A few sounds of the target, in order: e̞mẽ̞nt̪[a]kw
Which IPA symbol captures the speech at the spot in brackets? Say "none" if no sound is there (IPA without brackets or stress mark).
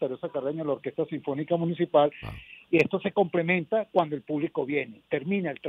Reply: a